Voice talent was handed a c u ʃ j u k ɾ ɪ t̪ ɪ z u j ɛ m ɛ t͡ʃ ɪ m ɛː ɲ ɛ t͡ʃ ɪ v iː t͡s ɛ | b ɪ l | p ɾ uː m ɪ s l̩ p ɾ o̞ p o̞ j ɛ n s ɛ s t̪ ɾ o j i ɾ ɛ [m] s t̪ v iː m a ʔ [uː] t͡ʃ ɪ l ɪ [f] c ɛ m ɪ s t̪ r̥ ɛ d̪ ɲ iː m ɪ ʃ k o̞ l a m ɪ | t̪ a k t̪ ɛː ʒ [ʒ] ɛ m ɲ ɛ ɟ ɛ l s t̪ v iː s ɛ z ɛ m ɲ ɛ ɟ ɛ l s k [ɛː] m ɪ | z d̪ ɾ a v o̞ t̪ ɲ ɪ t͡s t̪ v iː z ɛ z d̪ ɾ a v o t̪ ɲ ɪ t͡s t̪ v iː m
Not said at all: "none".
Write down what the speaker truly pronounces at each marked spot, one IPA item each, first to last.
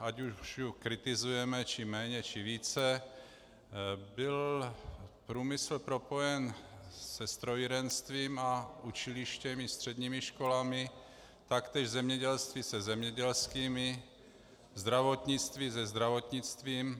n, u, ʃ, z, iː

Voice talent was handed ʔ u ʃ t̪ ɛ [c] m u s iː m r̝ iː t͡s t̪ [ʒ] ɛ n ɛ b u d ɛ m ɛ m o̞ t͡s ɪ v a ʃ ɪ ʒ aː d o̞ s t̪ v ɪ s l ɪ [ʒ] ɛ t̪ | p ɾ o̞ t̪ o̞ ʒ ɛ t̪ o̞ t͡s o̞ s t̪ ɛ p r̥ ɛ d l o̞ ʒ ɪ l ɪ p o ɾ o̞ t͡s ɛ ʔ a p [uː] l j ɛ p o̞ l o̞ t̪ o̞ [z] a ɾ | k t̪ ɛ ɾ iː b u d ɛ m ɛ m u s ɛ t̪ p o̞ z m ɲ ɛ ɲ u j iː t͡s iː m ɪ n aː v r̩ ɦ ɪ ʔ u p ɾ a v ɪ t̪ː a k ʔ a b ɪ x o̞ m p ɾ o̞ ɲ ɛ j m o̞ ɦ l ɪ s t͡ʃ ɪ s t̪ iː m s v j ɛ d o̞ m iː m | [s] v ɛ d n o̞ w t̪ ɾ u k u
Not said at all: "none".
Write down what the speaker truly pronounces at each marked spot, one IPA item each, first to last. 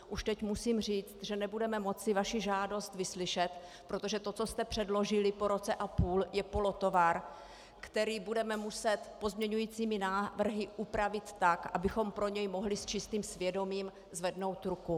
c, ʒ, ʃ, uː, v, z

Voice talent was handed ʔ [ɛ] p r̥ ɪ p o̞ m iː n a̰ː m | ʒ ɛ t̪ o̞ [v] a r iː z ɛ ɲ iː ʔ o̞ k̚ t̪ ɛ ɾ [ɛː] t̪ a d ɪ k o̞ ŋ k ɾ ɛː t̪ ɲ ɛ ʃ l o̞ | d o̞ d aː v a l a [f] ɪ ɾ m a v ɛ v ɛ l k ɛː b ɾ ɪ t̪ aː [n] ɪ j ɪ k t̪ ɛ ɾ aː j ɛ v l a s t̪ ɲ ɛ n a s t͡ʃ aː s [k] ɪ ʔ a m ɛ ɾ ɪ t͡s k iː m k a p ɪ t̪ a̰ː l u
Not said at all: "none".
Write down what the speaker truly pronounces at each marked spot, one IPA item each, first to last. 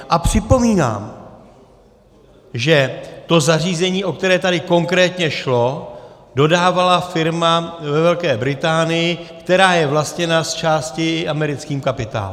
a, z, ɛː, f, n, c

